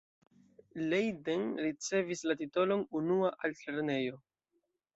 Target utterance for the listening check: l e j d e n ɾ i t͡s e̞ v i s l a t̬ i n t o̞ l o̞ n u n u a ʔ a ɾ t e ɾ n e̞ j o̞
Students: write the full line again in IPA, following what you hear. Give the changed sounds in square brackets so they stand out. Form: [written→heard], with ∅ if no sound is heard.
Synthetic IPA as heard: l e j d e n ɾ i t͡s e̞ v i s l a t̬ i [n→∅] t o̞ l o̞ n u n u a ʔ a [ɾ→l] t e ɾ n e̞ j o̞